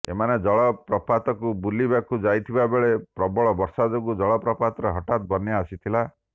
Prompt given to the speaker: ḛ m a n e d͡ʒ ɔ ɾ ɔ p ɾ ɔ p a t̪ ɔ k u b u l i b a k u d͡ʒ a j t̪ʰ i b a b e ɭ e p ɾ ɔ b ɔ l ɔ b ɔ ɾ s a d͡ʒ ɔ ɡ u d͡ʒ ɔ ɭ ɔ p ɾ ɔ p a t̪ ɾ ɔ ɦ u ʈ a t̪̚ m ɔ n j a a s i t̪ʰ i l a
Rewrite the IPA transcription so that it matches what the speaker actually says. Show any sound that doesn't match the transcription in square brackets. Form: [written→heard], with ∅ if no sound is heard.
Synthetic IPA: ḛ m a n e d͡ʒ ɔ [ɾ→ɭ] ɔ p ɾ ɔ p a t̪ ɔ k u b u l i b a k u d͡ʒ a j t̪ʰ i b a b e ɭ e p ɾ ɔ b ɔ [l→ɭ] ɔ b ɔ ɾ s a d͡ʒ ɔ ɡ u d͡ʒ ɔ ɭ ɔ p ɾ ɔ p a t̪ ɾ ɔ ɦ [u→ɔ] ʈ a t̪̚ [m→b] ɔ n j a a s i t̪ʰ i l a

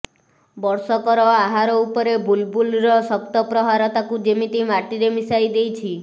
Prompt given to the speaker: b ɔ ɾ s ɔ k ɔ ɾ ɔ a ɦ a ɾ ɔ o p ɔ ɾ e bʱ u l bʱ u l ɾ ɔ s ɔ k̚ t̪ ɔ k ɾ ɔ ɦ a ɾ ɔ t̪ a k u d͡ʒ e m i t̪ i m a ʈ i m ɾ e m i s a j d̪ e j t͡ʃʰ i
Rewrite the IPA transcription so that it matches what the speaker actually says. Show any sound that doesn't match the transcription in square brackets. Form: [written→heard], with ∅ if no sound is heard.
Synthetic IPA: b ɔ ɾ s ɔ k ɔ ɾ ɔ a ɦ a ɾ ɔ [o→u] p ɔ ɾ e bʱ u l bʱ u l ɾ ɔ s ɔ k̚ t̪ ɔ [k→p] ɾ ɔ ɦ a ɾ ɔ t̪ a k u d͡ʒ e m i t̪ i m a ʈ i [m→∅] ɾ e m i s a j d̪ e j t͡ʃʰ i

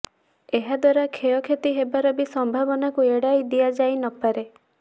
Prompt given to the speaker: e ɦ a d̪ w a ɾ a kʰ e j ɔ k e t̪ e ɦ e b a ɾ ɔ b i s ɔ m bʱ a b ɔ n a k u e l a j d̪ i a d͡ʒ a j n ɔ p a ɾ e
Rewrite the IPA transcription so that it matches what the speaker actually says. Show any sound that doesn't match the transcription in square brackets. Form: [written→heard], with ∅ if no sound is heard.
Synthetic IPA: e ɦ a d̪ w a ɾ a kʰ e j ɔ [k→kʰ] e t̪ [e→i] ɦ e b a ɾ ɔ b i s ɔ m bʱ a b ɔ n a k u e [l→ɽ] a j d̪ i a d͡ʒ a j n ɔ p a ɾ e

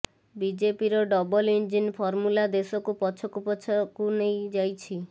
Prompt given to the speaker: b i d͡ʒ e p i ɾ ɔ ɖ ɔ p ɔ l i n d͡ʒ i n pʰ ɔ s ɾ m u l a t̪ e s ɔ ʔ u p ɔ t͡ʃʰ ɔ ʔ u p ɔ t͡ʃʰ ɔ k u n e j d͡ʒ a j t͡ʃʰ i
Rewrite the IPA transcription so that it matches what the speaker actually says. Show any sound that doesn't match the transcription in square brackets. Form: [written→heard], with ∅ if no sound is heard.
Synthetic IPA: b i d͡ʒ e p i ɾ ɔ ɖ ɔ [p→b] ɔ l i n d͡ʒ i n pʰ ɔ [s→∅] ɾ m u l a [t̪→d̪] e s ɔ [ʔ→k] u p ɔ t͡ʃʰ ɔ [ʔ→k] u p ɔ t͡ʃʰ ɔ k u n e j d͡ʒ a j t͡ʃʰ i

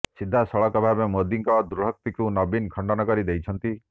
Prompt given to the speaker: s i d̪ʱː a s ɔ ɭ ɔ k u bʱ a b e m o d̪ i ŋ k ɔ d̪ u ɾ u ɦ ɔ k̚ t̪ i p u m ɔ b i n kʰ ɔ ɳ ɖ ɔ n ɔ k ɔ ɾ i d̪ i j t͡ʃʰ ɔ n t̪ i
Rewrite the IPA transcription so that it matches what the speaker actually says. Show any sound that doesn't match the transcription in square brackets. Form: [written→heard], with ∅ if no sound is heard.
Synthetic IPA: s i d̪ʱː a s ɔ ɭ ɔ k [u→ɔ] bʱ a b e m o d̪ i ŋ k ɔ d̪ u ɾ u ɦ ɔ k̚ t̪ i [p→k] u [m→n] ɔ b i n kʰ ɔ ɳ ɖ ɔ n ɔ k ɔ ɾ i d̪ [i→e] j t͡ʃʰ ɔ n t̪ i

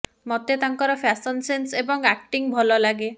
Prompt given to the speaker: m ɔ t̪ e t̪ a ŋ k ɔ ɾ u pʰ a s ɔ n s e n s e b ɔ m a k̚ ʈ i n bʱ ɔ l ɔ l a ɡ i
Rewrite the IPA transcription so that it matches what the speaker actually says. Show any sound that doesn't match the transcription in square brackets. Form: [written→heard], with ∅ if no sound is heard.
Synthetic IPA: m ɔ t̪ e t̪ a ŋ k ɔ ɾ [u→ɔ] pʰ a s ɔ n s e n s e b ɔ [m→ŋ] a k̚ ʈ i [n→ŋ] bʱ ɔ l ɔ l a ɡ [i→e]

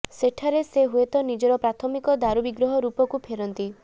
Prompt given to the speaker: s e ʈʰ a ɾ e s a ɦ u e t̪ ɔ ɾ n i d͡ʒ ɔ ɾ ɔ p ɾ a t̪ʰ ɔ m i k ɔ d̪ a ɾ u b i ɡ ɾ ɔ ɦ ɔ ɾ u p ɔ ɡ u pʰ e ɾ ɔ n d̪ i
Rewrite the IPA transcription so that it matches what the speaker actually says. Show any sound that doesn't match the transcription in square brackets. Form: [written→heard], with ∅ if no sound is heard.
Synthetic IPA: s e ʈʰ a ɾ e s [a→e] ɦ u e t̪ ɔ [ɾ→∅] n i d͡ʒ ɔ ɾ ɔ p ɾ a t̪ʰ ɔ m i k ɔ d̪ a ɾ u b i ɡ ɾ ɔ ɦ ɔ ɾ u p ɔ [ɡ→k] u pʰ e ɾ ɔ n [d̪→t̪] i

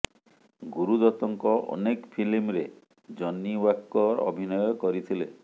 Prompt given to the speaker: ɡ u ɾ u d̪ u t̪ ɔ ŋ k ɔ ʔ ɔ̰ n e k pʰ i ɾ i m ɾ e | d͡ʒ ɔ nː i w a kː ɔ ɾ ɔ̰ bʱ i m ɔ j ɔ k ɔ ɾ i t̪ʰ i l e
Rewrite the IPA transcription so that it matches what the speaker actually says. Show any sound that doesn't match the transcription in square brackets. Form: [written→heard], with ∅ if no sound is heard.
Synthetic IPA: ɡ u ɾ u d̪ [u→ɔ] t̪ ɔ ŋ k ɔ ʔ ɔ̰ n e k pʰ i [ɾ→l] i m ɾ e | d͡ʒ ɔ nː i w a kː ɔ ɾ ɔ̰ bʱ i [m→n] ɔ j ɔ k ɔ ɾ i t̪ʰ i l e

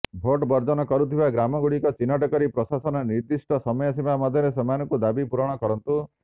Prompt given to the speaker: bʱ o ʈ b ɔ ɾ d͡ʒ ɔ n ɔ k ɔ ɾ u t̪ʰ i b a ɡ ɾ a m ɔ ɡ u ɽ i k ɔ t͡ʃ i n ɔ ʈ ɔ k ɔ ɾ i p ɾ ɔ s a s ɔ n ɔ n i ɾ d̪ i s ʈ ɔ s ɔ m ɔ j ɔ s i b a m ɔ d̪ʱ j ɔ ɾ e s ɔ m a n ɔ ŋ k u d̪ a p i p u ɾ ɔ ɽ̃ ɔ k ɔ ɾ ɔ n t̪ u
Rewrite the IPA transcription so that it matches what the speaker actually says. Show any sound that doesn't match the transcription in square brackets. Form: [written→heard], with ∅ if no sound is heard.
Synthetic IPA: bʱ o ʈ b ɔ ɾ d͡ʒ ɔ n ɔ k ɔ ɾ u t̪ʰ i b a ɡ ɾ a m ɔ ɡ u ɽ i k ɔ t͡ʃ i n ɔ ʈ ɔ k ɔ ɾ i p ɾ ɔ s a s ɔ n ɔ n i ɾ d̪ i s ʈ ɔ s ɔ m ɔ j ɔ s i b a m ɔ d̪ʱ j ɔ ɾ e s ɔ m a n ɔ ŋ k u d̪ a [p→b] i p u ɾ ɔ ɽ̃ ɔ k ɔ ɾ ɔ n t̪ u

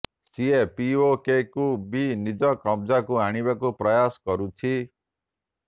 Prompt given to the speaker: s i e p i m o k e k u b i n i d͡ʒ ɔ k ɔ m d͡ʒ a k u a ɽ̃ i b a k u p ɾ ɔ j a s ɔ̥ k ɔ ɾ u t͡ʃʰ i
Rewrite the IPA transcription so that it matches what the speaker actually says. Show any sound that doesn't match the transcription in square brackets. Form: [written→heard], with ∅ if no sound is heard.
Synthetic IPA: s i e p i [m→∅] o k e k u b i n i d͡ʒ ɔ k ɔ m d͡ʒ a k u a ɽ̃ i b a k u p ɾ ɔ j a s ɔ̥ k ɔ ɾ u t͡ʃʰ i

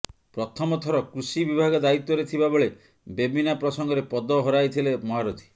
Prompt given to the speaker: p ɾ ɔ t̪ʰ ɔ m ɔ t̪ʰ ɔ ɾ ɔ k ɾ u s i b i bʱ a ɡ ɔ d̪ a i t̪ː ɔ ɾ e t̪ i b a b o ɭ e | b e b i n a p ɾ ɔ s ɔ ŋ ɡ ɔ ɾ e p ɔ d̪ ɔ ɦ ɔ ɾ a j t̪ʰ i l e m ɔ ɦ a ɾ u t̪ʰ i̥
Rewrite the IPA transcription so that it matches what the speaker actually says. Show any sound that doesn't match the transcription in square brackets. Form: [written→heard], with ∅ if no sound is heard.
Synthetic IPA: p ɾ ɔ t̪ʰ ɔ m ɔ t̪ʰ ɔ ɾ ɔ k ɾ u s i b i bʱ a ɡ ɔ d̪ a i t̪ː ɔ ɾ e [t̪→t̪ʰ] i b a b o ɭ e | b e b i n a p ɾ ɔ s ɔ ŋ ɡ ɔ ɾ e p ɔ d̪ ɔ ɦ ɔ ɾ a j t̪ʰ i l e m ɔ ɦ a ɾ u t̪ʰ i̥

